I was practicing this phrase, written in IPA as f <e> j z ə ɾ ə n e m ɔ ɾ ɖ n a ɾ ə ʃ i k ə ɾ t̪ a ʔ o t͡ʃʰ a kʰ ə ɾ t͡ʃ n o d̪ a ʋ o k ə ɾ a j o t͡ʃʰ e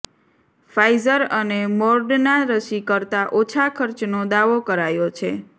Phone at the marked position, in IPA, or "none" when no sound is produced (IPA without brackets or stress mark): a